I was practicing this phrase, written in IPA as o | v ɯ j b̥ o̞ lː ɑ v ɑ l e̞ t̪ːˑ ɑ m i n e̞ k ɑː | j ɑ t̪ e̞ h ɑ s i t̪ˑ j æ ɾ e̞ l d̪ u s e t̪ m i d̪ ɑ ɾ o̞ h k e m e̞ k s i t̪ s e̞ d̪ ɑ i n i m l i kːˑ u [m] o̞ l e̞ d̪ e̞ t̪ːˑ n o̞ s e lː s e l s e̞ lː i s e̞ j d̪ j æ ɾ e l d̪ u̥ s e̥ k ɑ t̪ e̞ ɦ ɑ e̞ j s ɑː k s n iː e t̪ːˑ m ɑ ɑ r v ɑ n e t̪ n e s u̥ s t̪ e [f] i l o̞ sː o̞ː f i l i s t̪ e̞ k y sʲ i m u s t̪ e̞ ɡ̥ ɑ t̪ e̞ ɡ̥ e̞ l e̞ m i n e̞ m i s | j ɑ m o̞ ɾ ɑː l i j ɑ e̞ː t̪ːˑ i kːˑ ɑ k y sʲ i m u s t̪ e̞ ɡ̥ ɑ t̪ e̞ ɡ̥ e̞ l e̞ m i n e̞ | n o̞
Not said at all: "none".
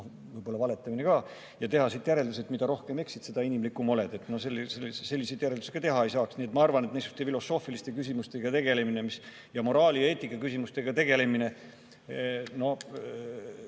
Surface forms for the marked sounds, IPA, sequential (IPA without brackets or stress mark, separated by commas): m, f